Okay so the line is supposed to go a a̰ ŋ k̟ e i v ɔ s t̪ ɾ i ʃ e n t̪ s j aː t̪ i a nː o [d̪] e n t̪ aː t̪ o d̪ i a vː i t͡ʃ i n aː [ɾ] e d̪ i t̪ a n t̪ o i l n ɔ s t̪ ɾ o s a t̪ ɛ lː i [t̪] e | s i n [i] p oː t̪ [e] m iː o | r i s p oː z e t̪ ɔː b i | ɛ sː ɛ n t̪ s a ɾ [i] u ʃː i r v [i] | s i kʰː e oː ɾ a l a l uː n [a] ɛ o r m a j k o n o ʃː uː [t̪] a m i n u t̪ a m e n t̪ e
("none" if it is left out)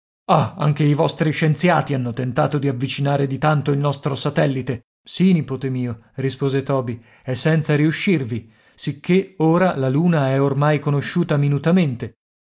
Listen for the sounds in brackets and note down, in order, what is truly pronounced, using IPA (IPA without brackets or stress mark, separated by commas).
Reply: t̪, ɾ, t̪, i, e, i, i, a, t̪